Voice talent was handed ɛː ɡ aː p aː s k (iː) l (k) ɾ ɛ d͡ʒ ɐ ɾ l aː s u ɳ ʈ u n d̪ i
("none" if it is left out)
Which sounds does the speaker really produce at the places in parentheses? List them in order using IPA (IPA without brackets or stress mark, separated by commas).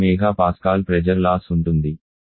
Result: aː, p